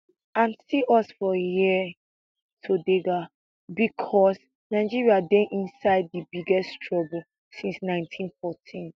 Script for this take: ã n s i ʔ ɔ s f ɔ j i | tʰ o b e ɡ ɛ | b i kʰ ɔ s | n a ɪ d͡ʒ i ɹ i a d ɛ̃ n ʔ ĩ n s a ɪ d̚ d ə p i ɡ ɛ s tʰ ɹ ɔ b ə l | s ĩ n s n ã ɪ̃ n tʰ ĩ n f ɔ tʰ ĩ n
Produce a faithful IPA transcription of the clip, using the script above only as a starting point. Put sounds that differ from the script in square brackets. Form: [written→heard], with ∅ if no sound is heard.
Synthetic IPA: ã n s i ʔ ɔ s f ɔ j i | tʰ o [b→d] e ɡ [ɛ→a] | b i kʰ ɔ s | n a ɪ d͡ʒ i ɹ i a d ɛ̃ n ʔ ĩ n s a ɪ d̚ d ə [p→b] i ɡ ɛ s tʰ ɹ ɔ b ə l | s ĩ n s n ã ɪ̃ n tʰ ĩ n f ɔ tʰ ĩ n

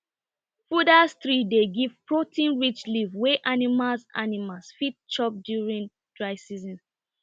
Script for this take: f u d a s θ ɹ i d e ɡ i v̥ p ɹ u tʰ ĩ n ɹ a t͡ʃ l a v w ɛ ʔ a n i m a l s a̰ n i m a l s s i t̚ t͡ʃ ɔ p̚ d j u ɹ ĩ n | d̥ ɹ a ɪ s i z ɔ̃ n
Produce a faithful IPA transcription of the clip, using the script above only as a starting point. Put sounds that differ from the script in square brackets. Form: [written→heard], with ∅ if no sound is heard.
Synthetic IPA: f u d a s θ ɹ i d e ɡ i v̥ p ɹ [u→o] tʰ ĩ n ɹ [a→i] t͡ʃ l [a→i] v w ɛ ʔ a n i m a l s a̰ n i m a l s [s→f] i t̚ t͡ʃ ɔ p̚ d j u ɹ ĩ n | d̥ ɹ a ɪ s i z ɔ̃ n

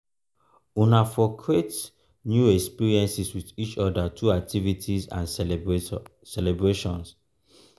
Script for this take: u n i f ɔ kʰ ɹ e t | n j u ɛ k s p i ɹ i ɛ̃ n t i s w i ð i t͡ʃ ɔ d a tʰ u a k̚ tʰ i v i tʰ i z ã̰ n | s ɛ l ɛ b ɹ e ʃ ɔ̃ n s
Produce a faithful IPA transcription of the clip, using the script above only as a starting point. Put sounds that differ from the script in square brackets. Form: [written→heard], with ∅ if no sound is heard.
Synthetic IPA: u n [i→a] f ɔ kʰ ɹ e t | n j u ɛ k s p i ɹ i ɛ̃ n [t→s] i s w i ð i t͡ʃ ɔ d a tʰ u a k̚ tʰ i v i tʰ i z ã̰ n | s ɛ l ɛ b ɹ e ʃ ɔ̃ n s

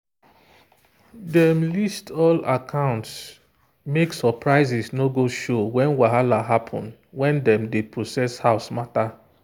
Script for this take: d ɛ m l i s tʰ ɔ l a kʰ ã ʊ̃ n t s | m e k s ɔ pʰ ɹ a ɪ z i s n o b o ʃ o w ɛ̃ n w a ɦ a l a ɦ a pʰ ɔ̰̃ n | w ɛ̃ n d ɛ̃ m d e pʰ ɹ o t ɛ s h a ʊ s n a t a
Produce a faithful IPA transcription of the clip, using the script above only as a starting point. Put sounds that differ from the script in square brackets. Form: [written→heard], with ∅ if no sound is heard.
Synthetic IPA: d ɛ m l i s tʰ ɔ l a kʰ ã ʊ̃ n t s | m e k s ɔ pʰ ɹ a ɪ z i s n o [b→ɡ] o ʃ o w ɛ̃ n w a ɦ a l a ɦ a pʰ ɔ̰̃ n | w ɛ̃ n d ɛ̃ m d e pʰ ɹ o [t→s] ɛ s h a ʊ s [n→m] a t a

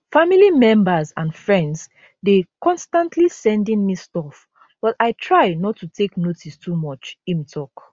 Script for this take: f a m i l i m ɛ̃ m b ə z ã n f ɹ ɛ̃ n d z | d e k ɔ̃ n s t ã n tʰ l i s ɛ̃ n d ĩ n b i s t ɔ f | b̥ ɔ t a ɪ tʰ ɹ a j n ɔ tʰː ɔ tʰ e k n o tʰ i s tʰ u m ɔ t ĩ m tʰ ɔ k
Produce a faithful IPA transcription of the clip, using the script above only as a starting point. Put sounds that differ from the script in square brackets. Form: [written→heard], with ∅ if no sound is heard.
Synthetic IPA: f a m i l i m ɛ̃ m b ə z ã n f ɹ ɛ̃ n d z | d e k ɔ̃ n s t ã n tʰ l i s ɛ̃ n d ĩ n [b→m] i s t ɔ f | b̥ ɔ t a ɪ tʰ ɹ a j n ɔ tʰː [ɔ→u] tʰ e k n o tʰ i s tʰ u m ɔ [t→t͡ʃ] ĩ m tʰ ɔ k

